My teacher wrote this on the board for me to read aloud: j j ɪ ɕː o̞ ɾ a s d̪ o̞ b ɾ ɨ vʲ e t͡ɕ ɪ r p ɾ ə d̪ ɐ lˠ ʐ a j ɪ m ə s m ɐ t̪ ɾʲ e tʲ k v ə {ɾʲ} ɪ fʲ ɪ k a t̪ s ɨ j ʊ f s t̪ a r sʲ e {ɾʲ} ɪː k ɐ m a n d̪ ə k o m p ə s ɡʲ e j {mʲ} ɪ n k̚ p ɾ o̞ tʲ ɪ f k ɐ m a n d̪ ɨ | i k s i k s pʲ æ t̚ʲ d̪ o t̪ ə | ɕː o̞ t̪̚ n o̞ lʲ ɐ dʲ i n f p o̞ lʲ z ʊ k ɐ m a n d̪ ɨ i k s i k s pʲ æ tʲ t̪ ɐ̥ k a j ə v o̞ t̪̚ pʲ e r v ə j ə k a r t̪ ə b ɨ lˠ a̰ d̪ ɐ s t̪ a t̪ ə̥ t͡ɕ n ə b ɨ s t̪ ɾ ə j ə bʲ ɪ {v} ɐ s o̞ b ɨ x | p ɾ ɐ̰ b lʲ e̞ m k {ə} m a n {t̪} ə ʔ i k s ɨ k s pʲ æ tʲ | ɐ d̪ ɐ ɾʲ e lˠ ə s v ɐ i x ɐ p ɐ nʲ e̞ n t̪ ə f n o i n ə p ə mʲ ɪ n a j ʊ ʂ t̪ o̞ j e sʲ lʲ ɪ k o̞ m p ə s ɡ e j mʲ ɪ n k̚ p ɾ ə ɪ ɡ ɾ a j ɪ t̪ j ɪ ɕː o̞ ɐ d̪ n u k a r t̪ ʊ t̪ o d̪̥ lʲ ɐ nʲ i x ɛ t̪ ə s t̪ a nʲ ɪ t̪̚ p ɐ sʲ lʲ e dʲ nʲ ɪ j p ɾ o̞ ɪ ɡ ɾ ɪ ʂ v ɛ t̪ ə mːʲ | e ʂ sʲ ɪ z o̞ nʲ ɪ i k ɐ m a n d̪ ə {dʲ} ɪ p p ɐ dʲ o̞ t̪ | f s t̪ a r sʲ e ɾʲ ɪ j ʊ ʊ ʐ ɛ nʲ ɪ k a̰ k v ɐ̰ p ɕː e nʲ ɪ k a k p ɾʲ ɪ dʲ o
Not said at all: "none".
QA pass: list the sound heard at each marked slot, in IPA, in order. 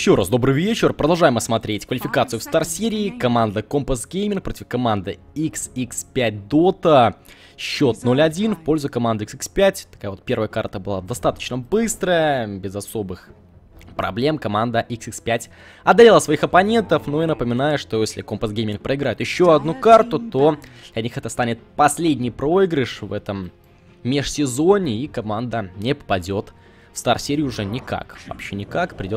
lʲ, ɾʲ, mʲ, z, ɐ, d̪, nʲ

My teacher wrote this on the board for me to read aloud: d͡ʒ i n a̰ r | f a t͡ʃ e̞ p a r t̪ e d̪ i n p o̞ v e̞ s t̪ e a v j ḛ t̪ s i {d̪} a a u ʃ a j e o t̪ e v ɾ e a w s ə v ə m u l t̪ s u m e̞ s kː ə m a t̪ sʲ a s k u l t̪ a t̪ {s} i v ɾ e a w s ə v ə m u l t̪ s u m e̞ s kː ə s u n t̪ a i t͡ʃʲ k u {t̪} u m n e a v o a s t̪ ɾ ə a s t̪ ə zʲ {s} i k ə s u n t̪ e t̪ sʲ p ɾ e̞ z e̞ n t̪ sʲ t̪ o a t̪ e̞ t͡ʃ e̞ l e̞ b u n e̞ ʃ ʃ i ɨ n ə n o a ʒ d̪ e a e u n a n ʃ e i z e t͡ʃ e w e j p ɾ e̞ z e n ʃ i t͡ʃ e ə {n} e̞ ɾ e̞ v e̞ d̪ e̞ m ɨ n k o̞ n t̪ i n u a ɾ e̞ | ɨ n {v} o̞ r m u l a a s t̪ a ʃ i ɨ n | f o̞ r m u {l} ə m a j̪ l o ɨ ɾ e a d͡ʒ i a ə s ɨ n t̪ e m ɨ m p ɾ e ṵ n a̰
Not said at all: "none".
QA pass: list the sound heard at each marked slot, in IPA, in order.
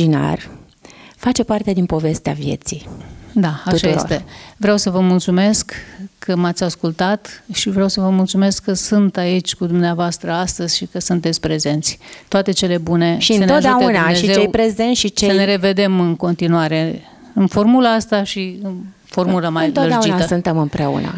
d̪, ʃ, d̪, ʃ, n, f, l

